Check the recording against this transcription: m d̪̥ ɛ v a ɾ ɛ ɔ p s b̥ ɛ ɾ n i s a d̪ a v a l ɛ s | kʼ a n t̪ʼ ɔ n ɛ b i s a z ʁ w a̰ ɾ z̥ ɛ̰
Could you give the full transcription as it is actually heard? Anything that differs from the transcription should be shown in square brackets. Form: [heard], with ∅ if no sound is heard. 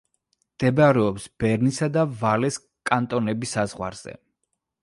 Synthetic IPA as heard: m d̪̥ ɛ [b] a ɾ ɛ ɔ p s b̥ ɛ ɾ n i s a d̪ a v a l ɛ s | kʼ a n t̪ʼ ɔ n ɛ b i s a z ʁ w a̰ ɾ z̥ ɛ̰